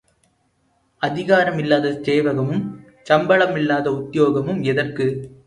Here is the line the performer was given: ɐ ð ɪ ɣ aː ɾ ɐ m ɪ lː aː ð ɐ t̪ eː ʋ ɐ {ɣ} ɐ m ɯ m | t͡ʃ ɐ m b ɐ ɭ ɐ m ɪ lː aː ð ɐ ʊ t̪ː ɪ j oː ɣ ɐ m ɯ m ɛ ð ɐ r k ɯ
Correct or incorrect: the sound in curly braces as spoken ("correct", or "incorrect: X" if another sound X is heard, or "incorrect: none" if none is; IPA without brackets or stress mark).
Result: correct